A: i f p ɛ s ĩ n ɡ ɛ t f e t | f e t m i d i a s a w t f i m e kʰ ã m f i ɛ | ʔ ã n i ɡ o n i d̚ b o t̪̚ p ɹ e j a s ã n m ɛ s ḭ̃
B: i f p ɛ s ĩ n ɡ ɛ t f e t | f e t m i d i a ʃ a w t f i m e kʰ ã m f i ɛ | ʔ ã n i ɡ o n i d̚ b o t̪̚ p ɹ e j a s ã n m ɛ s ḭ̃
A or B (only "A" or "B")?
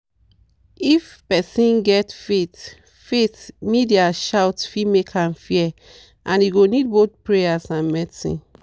B